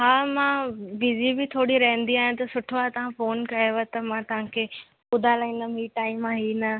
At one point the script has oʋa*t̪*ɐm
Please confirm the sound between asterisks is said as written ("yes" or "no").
yes